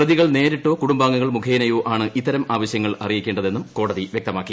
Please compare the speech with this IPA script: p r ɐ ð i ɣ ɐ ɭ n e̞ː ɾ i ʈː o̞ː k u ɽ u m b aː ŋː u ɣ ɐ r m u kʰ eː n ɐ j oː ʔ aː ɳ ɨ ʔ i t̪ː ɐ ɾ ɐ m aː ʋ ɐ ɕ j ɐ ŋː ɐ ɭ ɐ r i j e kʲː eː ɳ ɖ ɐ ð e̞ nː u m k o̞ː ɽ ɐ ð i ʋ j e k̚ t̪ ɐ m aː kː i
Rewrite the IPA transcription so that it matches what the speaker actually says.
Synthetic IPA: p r ɐ ð i ɣ ɐ ɭ n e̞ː ɾ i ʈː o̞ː k u ɽ u m b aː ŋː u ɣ ɐ ɭ m u kʰ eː n ɐ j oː ʔ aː ɳ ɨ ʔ i t̪ː ɐ ɾ ɐ m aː ʋ ɐ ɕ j ɐ ŋː ɐ ɭ ɐ r i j i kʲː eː ɳ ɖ ɐ ð e̞ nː u m k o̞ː ɽ ɐ ð i ʋ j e k̚ t̪ ɐ m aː kː i